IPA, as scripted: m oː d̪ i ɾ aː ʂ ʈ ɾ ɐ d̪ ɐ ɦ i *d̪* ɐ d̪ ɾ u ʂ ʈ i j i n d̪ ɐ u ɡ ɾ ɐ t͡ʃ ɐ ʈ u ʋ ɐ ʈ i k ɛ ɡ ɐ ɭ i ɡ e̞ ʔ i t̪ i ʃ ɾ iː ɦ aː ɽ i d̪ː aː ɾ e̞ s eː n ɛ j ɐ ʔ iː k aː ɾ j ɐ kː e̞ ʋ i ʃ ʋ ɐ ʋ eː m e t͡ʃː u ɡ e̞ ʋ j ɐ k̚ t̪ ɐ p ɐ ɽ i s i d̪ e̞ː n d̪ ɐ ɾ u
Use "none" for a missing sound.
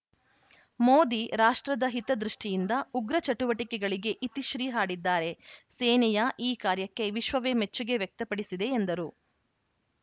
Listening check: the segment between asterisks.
t̪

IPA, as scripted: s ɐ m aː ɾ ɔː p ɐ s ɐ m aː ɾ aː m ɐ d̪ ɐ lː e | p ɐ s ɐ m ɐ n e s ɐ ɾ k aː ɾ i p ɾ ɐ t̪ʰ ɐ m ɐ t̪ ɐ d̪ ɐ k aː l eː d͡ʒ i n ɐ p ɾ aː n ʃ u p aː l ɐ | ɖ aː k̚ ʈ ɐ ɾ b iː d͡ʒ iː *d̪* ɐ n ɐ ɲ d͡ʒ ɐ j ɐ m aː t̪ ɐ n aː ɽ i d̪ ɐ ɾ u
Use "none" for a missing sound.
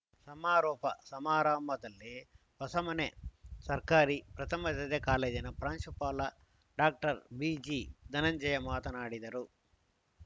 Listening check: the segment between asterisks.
d̪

